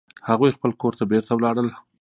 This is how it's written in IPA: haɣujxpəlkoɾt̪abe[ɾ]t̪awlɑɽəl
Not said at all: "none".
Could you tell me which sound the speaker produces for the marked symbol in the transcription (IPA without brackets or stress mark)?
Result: ɾ